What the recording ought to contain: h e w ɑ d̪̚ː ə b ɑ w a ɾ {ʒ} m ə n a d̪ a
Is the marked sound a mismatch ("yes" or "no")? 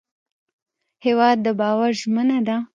no